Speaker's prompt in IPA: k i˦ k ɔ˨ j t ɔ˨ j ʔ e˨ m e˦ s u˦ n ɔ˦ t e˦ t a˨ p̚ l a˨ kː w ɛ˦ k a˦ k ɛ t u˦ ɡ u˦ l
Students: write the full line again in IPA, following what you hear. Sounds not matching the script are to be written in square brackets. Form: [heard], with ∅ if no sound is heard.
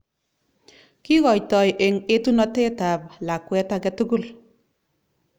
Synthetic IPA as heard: k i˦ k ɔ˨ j t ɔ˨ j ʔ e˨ [ŋ] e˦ [t] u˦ n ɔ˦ t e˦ t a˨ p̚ l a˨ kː w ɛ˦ [t] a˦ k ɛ t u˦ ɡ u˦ l